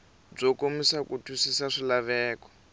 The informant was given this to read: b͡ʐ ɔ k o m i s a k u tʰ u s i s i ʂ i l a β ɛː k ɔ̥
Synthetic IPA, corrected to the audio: b͡ʐ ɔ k o m i s a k u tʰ u s i s a ʂ i l a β ɛː k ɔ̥